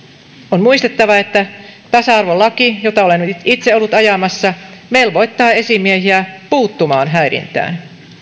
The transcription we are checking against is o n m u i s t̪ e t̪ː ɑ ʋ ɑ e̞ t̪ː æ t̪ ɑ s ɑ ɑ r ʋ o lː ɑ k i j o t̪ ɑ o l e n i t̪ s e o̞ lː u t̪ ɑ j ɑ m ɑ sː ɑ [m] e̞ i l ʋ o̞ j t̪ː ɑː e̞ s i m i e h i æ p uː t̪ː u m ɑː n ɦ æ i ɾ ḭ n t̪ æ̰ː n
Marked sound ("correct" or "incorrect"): correct